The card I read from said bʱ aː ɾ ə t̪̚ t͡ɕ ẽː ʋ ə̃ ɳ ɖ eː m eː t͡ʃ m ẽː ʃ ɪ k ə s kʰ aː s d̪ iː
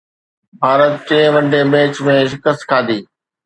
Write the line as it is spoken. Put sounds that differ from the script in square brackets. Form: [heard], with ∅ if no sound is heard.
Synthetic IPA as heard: bʱ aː ɾ ə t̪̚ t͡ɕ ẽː ʋ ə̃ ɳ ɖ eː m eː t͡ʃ m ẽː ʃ ɪ k ə s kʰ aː [∅] d̪ iː